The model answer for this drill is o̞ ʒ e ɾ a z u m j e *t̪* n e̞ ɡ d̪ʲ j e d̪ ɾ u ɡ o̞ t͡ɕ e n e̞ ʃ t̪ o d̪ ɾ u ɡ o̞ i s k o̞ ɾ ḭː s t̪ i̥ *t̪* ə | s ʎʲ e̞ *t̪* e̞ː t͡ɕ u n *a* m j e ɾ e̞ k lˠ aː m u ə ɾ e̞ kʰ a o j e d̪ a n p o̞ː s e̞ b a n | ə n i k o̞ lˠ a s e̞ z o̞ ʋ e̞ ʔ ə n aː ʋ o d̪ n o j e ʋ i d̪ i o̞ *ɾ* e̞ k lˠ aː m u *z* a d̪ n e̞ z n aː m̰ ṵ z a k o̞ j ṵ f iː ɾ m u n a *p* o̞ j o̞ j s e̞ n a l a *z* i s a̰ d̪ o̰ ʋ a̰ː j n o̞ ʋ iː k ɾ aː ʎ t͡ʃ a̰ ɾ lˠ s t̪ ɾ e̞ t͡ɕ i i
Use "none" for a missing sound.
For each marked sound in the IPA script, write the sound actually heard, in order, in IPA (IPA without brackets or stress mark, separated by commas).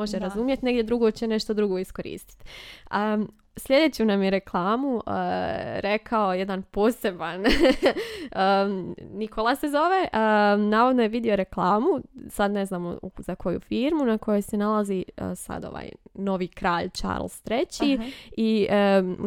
t̪, t̪, d̪, a, ɾ, s, k, z